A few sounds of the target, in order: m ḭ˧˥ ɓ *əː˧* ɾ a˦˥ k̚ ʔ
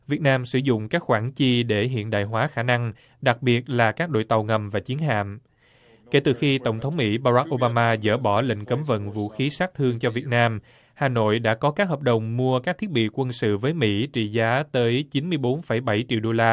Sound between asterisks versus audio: incorrect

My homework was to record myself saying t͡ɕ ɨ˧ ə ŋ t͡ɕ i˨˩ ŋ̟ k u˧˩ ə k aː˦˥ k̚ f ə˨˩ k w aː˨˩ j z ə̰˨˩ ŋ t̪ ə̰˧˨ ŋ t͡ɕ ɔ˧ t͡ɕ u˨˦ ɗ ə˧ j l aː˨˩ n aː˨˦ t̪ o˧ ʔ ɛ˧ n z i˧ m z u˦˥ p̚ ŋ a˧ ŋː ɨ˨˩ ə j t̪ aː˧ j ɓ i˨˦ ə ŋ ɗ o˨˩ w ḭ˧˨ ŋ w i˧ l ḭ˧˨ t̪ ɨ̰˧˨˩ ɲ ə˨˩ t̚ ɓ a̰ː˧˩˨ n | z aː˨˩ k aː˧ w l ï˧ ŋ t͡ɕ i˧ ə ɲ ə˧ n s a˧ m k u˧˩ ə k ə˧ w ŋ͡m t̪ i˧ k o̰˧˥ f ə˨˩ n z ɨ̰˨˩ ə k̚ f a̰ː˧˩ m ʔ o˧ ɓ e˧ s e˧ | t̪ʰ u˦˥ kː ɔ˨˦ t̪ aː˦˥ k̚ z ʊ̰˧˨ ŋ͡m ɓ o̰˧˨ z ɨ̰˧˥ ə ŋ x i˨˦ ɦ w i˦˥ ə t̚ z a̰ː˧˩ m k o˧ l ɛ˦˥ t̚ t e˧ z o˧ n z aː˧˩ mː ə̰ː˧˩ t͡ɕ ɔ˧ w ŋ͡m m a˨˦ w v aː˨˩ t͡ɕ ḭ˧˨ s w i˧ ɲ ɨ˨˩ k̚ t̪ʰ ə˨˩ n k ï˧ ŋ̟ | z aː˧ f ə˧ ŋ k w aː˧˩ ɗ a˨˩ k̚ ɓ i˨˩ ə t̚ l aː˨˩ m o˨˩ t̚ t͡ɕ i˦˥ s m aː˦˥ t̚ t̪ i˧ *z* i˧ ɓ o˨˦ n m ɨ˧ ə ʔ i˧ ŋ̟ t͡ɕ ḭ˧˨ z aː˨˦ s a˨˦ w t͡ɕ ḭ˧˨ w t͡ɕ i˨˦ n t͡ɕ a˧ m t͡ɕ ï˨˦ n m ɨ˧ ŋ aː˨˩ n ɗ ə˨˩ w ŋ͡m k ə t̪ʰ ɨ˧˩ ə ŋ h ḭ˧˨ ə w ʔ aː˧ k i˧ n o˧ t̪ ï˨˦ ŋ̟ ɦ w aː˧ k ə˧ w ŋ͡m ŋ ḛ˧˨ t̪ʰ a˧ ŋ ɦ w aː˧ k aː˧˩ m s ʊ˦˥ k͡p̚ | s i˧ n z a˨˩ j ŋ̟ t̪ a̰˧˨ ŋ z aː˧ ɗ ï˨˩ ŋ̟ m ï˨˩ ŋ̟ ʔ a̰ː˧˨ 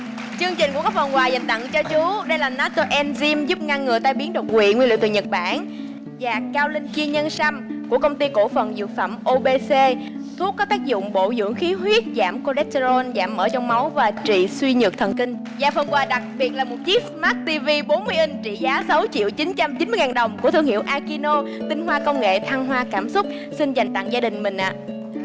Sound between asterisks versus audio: incorrect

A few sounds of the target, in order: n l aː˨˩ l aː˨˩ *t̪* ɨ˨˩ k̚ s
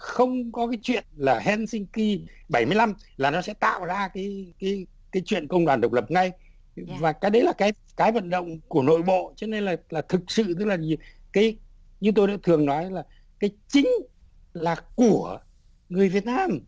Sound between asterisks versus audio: incorrect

